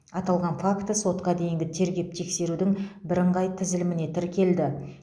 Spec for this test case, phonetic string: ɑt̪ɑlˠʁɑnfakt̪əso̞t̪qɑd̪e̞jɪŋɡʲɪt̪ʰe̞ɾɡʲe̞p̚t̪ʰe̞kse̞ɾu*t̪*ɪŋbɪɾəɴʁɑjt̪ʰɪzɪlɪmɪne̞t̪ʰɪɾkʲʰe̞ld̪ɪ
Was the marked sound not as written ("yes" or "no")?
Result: yes